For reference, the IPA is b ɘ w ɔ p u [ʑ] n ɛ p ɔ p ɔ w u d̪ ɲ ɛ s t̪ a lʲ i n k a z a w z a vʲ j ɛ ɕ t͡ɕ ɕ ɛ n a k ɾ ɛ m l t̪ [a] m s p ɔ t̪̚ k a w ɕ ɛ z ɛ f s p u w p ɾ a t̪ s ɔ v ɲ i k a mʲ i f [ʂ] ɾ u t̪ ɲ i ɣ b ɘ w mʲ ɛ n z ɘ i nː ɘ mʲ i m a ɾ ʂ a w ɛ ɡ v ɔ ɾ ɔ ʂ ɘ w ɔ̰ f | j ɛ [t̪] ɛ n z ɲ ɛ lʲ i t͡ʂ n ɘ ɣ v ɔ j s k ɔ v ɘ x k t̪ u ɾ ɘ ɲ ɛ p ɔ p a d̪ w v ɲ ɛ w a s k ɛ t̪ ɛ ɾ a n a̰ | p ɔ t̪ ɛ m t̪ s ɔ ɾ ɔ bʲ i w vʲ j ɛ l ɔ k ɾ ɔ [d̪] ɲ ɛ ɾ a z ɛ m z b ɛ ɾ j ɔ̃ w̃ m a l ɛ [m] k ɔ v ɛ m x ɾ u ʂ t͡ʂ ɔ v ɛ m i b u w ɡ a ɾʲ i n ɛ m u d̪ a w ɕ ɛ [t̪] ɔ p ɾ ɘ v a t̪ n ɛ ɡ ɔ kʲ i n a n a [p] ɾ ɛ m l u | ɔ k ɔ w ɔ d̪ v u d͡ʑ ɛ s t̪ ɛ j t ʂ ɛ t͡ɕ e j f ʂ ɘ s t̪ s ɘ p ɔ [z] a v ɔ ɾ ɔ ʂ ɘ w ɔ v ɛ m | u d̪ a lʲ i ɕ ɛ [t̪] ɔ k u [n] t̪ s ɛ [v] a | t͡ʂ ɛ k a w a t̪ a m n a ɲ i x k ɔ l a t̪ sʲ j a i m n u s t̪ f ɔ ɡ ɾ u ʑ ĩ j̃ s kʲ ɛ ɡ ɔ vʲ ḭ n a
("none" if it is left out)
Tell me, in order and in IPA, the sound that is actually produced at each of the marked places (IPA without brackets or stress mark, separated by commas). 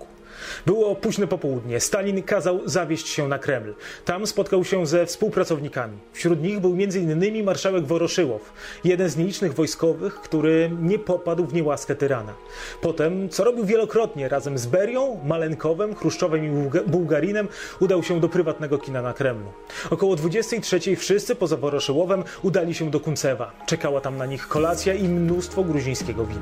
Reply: ʑ, a, ɕ, d̪, t̪, ŋ, d̪, k, z, d̪, n, v